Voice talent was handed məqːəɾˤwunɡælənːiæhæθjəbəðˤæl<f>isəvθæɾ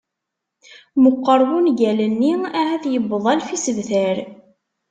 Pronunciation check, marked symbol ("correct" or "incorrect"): correct